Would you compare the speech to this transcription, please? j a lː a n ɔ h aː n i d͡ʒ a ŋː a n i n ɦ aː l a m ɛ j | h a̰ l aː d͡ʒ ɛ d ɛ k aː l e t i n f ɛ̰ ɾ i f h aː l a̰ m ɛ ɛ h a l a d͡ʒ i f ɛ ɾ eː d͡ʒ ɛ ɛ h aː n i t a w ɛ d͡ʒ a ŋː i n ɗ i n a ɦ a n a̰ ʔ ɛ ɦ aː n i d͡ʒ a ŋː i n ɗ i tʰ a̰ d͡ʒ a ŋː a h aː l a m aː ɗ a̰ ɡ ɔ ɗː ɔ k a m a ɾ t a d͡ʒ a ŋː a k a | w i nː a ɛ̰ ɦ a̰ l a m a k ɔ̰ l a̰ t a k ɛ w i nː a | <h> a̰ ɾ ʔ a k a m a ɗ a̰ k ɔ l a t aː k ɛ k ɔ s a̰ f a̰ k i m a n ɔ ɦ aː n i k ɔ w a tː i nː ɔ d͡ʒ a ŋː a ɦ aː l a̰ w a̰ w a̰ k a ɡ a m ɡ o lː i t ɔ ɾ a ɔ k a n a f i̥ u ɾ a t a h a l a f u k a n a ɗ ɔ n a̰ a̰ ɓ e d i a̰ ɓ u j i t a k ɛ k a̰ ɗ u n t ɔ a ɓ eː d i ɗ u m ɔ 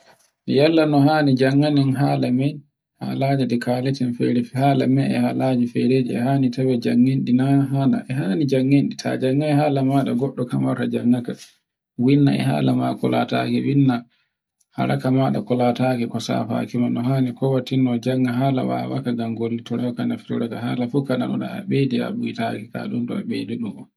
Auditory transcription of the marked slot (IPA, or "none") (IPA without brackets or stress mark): h